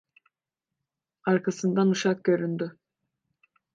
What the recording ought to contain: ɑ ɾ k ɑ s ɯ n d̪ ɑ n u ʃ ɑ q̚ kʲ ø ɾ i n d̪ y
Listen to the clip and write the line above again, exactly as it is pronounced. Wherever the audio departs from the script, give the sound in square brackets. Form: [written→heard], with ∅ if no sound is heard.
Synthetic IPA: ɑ ɾ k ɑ s ɯ n d̪ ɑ n u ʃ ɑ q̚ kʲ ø ɾ [i→y] n d̪ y